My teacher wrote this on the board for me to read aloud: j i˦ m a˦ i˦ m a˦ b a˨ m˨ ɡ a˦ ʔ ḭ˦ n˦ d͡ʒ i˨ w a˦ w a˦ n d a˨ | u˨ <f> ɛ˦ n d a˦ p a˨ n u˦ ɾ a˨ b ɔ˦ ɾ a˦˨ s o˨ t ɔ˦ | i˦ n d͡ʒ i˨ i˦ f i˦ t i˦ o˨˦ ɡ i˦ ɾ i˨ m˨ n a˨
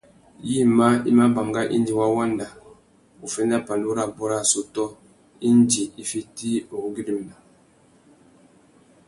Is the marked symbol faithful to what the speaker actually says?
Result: yes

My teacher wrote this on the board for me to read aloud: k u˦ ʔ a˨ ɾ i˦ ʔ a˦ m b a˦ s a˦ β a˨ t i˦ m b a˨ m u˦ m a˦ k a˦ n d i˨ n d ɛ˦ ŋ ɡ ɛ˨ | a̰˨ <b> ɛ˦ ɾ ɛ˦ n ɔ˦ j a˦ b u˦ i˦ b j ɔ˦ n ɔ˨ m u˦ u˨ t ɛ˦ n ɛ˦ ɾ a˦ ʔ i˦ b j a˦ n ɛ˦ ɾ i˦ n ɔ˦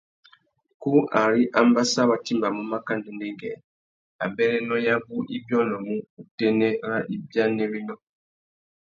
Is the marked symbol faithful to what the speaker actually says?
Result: yes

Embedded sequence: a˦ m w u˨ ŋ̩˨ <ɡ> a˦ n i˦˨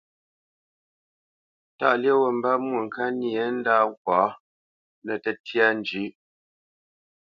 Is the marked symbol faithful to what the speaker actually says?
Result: no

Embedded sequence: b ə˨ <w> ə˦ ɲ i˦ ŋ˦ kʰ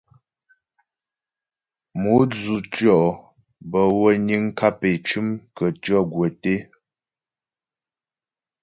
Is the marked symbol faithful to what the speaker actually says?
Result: yes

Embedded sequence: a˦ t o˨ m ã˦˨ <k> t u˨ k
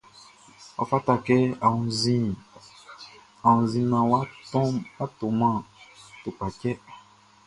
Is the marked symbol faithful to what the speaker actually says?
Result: no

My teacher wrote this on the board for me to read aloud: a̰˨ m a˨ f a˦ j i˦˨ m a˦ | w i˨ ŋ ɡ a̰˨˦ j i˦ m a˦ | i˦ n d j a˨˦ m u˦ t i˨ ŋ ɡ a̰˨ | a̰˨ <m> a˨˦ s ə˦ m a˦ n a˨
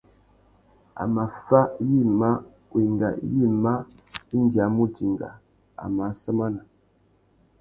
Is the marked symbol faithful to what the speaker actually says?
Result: yes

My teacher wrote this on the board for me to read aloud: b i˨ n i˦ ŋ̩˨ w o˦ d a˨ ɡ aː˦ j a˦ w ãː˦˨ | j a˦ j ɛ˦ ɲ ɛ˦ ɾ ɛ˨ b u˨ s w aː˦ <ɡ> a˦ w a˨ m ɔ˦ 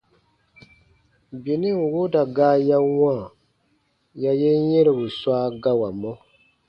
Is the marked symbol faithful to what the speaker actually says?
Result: yes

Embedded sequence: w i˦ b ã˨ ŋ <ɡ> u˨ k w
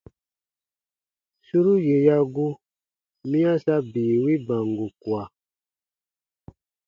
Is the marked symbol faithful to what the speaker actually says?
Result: yes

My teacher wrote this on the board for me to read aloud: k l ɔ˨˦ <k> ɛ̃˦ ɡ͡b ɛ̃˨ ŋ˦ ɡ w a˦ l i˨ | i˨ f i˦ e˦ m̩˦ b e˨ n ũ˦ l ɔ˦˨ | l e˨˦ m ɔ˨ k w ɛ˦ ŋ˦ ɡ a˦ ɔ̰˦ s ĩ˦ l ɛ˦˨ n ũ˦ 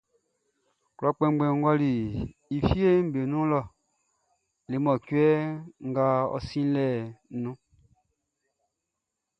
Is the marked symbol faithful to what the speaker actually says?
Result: no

